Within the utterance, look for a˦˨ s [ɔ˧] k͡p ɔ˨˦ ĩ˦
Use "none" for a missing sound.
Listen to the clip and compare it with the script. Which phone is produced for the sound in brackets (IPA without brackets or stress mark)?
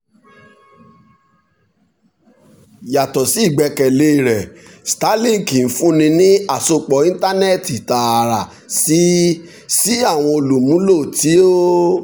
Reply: o˧